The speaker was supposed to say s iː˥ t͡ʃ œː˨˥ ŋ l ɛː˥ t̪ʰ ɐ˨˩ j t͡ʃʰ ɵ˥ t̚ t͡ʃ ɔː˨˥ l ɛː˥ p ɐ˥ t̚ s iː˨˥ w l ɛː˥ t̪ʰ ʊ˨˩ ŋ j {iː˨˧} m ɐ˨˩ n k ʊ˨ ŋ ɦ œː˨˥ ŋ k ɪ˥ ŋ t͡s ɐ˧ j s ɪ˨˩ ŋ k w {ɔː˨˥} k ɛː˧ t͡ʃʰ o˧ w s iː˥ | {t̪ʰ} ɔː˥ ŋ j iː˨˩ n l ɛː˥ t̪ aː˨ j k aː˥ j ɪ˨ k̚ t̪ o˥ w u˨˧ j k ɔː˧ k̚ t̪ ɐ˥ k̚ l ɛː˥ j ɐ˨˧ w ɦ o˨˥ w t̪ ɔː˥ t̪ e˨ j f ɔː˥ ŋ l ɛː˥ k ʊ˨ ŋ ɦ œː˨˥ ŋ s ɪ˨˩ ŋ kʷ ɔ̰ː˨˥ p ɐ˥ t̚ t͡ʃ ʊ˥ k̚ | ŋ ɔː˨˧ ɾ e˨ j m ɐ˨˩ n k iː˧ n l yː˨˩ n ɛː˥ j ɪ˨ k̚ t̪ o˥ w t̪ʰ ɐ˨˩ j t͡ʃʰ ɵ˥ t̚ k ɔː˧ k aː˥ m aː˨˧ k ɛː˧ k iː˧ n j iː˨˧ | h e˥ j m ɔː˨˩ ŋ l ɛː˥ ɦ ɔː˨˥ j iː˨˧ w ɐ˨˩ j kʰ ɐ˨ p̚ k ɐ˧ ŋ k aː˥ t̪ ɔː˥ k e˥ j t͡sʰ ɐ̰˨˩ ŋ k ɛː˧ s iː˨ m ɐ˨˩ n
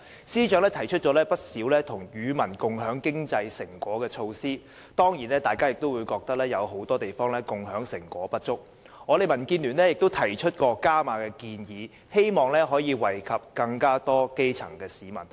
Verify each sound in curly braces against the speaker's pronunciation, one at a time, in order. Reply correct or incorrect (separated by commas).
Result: incorrect, correct, incorrect